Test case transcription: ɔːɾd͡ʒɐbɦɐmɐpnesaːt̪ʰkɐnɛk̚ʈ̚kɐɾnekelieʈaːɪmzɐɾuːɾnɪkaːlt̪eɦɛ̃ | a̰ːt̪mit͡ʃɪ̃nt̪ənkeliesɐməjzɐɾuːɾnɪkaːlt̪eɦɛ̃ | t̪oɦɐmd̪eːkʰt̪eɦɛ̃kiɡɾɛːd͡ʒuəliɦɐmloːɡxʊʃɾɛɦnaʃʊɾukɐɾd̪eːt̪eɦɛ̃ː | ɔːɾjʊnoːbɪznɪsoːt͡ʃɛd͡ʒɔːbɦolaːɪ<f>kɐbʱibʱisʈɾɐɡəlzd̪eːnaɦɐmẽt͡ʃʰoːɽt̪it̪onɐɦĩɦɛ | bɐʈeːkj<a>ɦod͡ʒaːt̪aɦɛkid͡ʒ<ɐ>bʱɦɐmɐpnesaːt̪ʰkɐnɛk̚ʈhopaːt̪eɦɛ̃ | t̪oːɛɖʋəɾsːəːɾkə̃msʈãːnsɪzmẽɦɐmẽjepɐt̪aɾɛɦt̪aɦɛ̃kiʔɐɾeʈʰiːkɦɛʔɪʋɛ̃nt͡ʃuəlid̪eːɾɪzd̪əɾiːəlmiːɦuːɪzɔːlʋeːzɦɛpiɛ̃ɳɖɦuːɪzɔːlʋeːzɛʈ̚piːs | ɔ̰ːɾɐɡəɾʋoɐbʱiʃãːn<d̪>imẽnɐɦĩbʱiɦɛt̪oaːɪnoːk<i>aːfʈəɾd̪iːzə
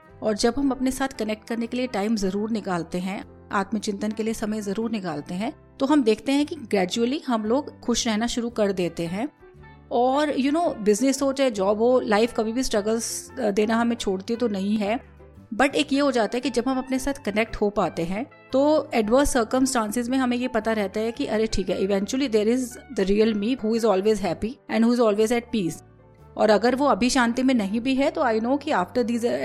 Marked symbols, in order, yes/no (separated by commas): yes, no, yes, no, yes